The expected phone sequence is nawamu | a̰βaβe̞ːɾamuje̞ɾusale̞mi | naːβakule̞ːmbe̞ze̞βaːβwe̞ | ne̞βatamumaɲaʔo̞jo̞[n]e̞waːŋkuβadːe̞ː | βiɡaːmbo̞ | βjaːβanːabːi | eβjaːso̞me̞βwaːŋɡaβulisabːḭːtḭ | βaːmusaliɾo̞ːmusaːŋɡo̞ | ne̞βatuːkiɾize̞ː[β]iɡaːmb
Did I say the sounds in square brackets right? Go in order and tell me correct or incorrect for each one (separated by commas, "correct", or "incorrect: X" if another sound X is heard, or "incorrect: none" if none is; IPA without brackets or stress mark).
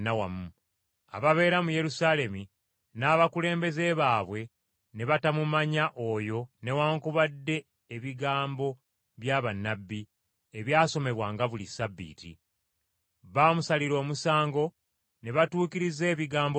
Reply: correct, correct